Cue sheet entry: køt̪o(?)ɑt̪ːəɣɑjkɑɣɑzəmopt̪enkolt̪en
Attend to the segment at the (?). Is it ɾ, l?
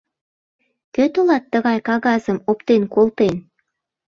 l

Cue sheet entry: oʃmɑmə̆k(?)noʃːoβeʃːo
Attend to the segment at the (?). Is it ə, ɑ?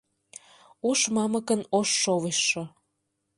ə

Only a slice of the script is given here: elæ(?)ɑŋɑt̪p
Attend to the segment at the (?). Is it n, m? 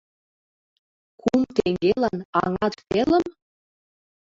n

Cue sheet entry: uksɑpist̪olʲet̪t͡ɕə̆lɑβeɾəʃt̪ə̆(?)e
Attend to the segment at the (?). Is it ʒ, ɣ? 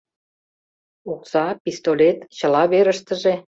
ʒ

